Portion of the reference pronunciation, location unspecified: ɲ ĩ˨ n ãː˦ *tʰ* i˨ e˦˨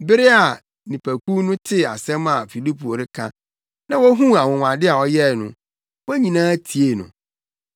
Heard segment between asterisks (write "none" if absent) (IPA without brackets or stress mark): tʰ